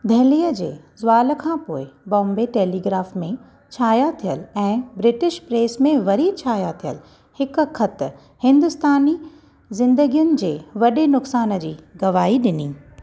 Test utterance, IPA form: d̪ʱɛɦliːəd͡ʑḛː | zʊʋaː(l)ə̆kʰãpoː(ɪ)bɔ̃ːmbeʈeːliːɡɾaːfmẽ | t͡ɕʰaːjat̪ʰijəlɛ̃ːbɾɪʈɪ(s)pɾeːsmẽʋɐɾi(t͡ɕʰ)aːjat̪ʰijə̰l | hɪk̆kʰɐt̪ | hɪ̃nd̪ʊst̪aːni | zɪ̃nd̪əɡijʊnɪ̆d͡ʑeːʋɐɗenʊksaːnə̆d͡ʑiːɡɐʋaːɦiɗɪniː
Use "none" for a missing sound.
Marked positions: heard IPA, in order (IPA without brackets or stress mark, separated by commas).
l, ɪ, ʃ, t͡ɕʰ